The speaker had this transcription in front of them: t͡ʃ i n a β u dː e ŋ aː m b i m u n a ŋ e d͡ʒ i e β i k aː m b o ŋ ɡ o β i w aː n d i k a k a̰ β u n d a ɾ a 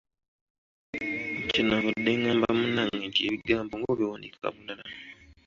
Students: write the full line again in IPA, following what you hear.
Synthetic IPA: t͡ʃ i n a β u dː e ŋ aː m b a m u n a ŋ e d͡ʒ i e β i ɡ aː m b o ŋ ɡ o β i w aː n d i k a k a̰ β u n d a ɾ a